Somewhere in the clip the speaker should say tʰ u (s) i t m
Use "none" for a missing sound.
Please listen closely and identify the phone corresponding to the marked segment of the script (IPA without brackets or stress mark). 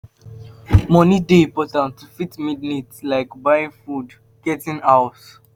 f